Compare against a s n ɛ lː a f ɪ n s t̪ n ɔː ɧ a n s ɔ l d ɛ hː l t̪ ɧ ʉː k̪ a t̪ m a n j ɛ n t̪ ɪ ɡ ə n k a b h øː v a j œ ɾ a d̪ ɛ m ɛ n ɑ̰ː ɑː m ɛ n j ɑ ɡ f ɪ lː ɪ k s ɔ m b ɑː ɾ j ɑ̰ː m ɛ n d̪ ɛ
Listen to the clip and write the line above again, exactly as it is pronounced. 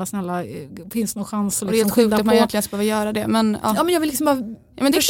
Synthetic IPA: a s n ɛ lː a f ɪ n s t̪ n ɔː ɧ a n s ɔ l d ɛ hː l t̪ ɧ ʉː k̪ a t̪ m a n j ɛ n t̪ ɪ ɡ ə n k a b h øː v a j œː ɾ a d̪ ɛ m ɛ n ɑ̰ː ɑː m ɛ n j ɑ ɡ v ɪ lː ɪ k s ɔ m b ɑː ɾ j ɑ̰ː m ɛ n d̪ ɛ